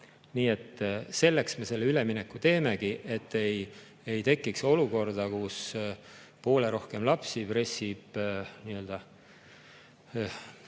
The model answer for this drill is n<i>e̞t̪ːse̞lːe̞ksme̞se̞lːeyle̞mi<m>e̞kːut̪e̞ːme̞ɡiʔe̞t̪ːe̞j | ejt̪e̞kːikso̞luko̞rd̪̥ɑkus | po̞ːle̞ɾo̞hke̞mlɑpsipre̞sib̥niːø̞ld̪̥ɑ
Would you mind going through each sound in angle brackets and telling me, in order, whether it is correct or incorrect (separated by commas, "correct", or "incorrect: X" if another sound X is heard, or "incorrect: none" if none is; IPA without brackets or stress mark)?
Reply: incorrect: iː, incorrect: n